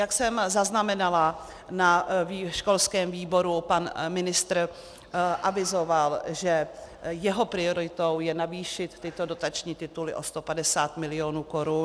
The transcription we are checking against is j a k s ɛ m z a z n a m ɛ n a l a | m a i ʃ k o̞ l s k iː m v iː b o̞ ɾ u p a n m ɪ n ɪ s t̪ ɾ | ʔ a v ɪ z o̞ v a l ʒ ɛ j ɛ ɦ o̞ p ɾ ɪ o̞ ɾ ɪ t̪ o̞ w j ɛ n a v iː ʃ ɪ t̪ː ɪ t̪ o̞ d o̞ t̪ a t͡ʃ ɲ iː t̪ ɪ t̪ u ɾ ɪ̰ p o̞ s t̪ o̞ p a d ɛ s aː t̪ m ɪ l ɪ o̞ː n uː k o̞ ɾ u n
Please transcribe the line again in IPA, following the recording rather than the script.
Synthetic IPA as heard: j a k s ɛ m z a z n a m ɛ n a l a | n a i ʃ k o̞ l s k ɛː m v iː b o̞ ɾ u p a n m ɪ n ɪ s t̪ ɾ | ʔ a v ɪ z o̞ v a l ʒ ɛ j ɛ ɦ o̞ p ɾ ɪ o̞ ɾ ɪ t̪ o̞ w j ɛ n a v iː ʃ ɪ t̪ː ɪ t̪ o̞ d o̞ t̪ a t͡ʃ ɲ iː t̪ ɪ t̪ u l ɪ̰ ʔ o̞ s t̪ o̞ p a d ɛ s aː t̪ m ɪ l ɪ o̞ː n uː k o̞ ɾ u n